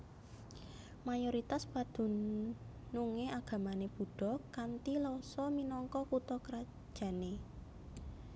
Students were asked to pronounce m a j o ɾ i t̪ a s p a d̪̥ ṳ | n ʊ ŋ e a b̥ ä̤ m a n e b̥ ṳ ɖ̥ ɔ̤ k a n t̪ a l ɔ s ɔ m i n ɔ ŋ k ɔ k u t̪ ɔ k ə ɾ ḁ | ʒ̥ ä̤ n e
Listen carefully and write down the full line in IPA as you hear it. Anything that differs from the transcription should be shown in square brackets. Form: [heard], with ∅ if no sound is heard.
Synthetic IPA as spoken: m a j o ɾ i t̪ a s p a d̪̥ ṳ | n [u] ŋ e a [ɡ̥] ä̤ m a n e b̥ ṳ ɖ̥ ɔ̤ k a n t̪ [i] l ɔ s ɔ m i n ɔ ŋ k ɔ k u t̪ ɔ k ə ɾ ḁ | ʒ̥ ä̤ n e